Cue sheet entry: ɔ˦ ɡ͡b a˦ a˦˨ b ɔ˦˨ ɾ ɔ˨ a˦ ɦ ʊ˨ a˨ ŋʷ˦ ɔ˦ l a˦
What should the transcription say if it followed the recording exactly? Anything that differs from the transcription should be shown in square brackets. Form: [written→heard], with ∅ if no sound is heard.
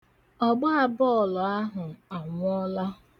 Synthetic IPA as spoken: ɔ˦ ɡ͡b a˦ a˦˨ b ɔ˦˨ [ɾ→l] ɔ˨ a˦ ɦ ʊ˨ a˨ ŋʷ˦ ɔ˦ l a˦